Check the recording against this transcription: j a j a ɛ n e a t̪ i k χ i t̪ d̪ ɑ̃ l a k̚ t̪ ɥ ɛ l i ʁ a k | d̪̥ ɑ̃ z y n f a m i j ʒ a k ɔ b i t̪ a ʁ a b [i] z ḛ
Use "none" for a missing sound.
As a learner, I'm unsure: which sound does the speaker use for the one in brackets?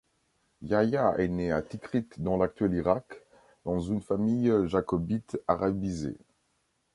i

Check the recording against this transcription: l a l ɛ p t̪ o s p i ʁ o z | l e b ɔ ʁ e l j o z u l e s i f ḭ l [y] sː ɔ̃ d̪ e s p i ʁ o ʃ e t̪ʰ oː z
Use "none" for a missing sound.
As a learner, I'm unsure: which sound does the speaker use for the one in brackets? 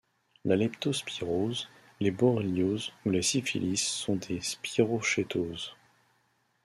i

